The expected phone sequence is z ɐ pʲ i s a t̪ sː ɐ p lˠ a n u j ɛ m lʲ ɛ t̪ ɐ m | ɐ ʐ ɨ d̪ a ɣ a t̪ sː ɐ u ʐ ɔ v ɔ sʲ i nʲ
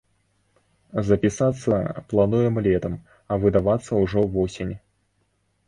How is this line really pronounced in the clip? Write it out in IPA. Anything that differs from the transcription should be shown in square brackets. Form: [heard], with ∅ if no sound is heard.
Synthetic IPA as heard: z ɐ pʲ i s a t̪ sː ɐ p lˠ a n u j ɛ m lʲ ɛ t̪ ɐ m | ɐ [v] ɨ d̪ a [v] a t̪ sː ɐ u ʐ ɔ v ɔ sʲ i nʲ